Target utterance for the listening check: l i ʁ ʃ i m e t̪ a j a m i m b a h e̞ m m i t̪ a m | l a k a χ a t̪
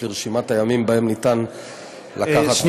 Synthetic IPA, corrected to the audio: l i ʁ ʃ i m a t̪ a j a m i m b a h e̞ m n i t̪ a n | l a k a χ a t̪